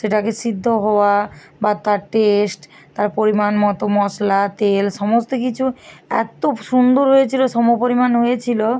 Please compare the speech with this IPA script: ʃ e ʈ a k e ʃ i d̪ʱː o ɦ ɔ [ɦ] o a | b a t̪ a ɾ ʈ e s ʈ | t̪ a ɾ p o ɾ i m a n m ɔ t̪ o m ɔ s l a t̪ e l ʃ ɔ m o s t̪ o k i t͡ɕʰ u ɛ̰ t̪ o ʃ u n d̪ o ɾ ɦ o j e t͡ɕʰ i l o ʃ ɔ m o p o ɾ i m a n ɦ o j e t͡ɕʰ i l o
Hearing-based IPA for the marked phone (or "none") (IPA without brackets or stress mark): none